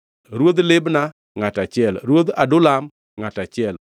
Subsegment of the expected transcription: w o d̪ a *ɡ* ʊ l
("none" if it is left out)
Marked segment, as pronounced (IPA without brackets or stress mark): d